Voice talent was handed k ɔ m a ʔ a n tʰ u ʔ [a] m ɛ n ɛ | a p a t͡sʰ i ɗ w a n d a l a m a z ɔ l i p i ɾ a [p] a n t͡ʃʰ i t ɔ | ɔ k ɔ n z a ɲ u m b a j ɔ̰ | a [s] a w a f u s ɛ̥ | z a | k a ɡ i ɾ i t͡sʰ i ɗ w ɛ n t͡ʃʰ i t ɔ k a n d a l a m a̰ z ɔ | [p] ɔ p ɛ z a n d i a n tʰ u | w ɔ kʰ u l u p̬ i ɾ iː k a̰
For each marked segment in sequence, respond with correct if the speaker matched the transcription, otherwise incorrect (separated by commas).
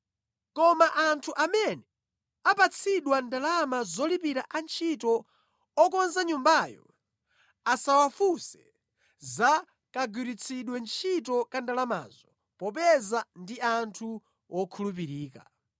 correct, incorrect, correct, correct